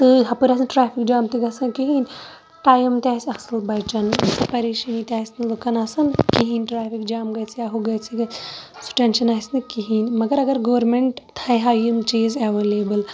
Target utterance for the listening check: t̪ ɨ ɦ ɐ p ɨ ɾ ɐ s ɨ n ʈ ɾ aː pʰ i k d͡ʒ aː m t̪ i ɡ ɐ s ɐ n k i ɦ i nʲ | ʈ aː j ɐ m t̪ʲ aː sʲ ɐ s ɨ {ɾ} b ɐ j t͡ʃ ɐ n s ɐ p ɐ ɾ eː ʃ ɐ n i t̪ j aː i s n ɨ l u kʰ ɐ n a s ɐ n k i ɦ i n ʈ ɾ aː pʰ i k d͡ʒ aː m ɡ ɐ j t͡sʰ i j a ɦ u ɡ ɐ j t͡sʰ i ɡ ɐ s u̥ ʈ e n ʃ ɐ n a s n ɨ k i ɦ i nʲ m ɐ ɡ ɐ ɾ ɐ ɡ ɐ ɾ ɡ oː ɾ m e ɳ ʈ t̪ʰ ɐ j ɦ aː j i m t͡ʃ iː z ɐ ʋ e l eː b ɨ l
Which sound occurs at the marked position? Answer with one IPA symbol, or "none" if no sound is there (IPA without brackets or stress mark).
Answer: l